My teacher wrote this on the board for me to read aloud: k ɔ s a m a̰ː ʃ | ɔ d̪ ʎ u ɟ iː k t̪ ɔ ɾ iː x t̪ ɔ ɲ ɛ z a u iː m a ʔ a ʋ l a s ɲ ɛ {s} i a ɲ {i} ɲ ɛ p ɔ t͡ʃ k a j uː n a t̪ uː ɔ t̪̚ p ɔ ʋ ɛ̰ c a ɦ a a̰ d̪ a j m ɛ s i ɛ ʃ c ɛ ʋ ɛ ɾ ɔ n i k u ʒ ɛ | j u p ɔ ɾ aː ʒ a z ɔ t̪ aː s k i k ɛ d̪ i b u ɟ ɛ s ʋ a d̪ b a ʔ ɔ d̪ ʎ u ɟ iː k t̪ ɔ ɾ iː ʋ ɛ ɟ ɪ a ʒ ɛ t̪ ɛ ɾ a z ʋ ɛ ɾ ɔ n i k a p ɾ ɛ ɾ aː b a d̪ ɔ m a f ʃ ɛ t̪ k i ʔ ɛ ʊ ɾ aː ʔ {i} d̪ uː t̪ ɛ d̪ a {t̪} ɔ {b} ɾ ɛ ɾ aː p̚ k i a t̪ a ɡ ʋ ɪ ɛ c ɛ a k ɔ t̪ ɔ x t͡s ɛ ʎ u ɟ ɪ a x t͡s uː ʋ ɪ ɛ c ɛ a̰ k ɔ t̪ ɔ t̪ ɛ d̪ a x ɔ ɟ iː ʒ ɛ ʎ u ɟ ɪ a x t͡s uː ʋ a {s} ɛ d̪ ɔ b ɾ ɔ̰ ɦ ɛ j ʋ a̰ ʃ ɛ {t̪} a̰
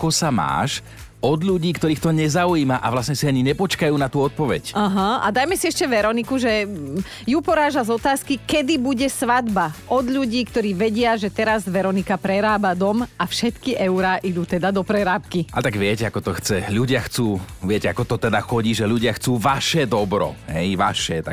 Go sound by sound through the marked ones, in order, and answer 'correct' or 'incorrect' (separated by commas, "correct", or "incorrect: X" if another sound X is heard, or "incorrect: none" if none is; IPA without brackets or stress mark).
correct, correct, correct, incorrect: d̪, incorrect: p, incorrect: ʃ, correct